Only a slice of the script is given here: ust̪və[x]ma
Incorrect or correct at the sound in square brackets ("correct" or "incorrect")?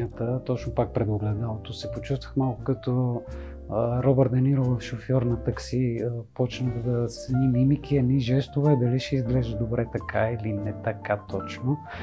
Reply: correct